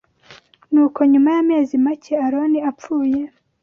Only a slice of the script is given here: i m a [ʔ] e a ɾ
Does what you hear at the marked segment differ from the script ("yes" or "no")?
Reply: yes